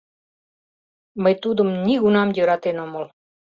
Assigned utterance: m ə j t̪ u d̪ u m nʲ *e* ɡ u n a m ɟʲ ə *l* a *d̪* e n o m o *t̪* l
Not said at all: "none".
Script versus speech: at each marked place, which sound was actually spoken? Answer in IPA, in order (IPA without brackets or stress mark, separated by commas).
i, ɾ, t̪, none